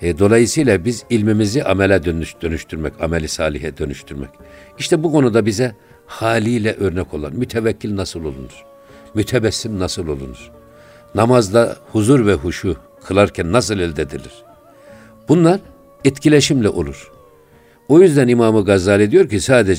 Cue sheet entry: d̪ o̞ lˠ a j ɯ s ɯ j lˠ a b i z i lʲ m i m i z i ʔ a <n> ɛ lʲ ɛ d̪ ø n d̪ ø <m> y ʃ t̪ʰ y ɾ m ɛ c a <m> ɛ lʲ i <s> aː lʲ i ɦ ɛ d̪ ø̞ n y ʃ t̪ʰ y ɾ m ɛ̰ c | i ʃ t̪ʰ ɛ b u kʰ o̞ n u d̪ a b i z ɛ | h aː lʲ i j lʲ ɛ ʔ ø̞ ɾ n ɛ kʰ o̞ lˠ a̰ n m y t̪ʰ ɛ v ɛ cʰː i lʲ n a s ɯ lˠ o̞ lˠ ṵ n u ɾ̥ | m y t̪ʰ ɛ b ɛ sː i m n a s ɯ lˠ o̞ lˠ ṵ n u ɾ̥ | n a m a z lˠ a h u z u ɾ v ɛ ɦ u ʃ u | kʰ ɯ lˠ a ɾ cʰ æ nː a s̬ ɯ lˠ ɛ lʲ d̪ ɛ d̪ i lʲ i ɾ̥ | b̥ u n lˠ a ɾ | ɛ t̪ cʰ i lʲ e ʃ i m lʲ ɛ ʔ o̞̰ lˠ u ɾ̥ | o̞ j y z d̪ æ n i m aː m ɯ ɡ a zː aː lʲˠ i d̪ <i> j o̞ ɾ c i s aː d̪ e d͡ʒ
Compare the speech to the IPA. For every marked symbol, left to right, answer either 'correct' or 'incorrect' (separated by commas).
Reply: incorrect, incorrect, correct, correct, correct